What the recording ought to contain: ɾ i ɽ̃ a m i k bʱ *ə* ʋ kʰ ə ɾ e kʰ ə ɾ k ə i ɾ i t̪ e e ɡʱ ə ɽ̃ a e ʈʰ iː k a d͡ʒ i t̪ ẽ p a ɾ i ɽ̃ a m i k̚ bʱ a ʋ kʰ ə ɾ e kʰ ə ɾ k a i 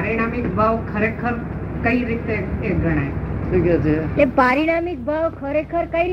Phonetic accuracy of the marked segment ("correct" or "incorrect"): incorrect